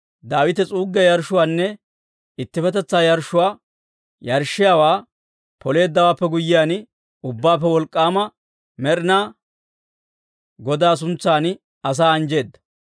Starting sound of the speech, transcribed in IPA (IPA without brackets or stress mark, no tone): d̪